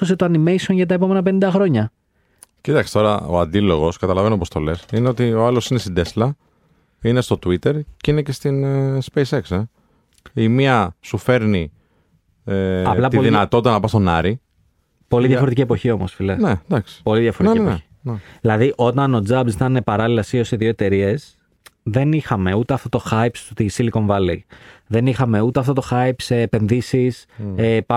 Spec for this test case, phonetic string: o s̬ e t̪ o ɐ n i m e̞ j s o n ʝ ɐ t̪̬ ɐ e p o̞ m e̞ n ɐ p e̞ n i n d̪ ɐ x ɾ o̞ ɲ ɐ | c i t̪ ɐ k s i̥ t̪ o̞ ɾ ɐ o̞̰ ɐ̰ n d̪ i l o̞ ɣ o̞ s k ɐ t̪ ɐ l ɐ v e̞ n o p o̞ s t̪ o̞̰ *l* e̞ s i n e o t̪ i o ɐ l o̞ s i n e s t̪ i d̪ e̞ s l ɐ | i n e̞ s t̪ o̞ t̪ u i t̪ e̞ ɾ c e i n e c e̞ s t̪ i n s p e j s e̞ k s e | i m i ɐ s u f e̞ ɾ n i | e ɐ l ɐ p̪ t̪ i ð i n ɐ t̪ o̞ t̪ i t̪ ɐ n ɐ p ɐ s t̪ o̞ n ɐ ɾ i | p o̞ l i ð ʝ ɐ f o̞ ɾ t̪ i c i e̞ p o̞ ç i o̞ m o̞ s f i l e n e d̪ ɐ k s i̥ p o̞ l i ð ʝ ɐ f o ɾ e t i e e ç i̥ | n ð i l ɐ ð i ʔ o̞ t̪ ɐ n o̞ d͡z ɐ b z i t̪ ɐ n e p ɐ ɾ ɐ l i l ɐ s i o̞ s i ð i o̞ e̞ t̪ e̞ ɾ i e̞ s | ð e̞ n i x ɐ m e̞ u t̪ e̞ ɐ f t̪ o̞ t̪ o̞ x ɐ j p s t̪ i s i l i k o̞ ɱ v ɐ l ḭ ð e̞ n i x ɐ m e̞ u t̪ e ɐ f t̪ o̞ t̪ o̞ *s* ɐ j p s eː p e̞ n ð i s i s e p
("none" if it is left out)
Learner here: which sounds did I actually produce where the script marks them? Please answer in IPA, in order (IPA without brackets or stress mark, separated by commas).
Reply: l, x